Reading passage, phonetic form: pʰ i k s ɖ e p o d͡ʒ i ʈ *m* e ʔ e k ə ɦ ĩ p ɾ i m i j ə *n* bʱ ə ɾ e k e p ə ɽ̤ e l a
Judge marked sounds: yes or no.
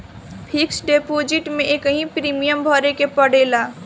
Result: yes, no

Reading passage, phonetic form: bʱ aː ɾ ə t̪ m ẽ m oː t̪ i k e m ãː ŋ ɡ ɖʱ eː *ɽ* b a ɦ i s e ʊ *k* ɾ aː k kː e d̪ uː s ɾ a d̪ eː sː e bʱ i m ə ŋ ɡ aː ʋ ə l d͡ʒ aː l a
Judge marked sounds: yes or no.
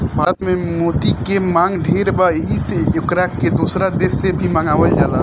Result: no, yes

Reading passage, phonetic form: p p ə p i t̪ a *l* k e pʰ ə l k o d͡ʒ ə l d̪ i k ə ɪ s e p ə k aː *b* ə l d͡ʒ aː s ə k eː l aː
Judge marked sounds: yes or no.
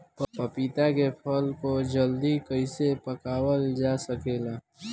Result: no, no

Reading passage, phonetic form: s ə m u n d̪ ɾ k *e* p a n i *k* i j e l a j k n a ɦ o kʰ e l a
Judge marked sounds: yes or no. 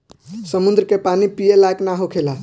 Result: yes, no

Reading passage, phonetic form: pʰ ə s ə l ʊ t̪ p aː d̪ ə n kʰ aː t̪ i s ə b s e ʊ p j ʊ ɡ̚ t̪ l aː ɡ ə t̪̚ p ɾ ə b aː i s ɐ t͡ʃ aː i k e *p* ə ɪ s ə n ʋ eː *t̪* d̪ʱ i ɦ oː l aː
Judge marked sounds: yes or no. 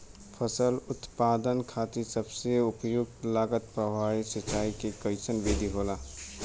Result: no, no

